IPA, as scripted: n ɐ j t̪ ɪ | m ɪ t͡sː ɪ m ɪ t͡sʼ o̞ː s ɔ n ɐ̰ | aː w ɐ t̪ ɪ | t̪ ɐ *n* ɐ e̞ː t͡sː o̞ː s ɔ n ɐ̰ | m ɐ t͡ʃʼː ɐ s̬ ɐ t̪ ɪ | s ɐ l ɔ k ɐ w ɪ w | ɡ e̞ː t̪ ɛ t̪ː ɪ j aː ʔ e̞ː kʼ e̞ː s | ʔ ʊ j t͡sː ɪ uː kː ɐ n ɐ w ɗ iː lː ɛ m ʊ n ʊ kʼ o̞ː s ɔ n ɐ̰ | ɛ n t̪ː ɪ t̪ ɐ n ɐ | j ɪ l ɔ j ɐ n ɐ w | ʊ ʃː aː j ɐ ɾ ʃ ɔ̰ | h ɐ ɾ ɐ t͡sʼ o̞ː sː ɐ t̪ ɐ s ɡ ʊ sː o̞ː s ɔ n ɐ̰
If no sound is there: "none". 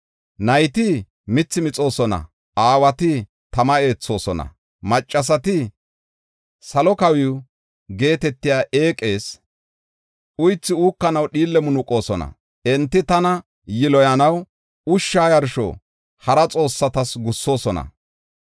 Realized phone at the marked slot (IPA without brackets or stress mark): m